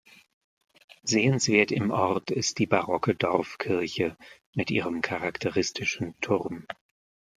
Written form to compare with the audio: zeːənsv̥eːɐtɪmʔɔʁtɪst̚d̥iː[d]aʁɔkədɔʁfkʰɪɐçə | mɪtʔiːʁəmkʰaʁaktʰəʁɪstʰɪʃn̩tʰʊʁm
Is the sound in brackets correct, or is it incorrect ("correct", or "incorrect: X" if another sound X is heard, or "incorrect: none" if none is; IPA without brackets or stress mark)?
incorrect: b